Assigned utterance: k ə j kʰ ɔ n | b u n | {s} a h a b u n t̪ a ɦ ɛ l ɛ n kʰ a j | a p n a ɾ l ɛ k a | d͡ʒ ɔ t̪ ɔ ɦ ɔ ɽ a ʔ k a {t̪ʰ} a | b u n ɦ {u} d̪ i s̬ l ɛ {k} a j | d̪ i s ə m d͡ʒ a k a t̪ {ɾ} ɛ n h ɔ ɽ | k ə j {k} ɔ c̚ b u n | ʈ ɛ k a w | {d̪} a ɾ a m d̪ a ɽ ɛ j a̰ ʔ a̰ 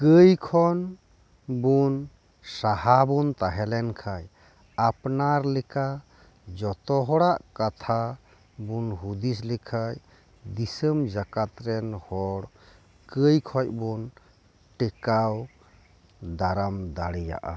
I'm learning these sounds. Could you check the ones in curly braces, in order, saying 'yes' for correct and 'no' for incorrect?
yes, yes, yes, no, yes, no, yes

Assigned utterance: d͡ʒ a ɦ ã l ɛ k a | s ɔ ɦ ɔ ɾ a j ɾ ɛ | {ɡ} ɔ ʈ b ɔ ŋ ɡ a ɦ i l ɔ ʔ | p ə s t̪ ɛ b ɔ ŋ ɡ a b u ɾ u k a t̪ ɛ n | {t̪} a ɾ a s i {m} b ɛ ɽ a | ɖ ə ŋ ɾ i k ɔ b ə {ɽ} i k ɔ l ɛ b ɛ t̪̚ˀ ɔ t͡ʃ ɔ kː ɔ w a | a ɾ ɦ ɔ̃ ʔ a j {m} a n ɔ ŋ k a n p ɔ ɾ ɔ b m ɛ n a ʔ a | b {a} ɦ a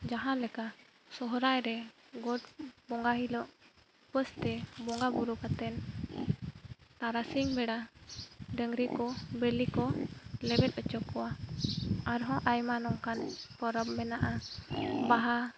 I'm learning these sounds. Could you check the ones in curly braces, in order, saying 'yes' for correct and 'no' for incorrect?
yes, yes, no, no, yes, yes

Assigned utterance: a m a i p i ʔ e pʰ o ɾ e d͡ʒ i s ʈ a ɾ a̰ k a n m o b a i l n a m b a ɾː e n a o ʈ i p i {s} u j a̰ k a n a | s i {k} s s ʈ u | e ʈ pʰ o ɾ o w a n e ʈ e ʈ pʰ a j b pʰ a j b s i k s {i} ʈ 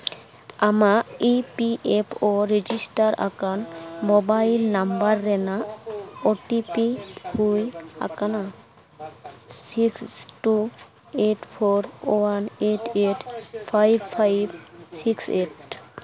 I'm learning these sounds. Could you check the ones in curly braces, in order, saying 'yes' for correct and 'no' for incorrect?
no, yes, no

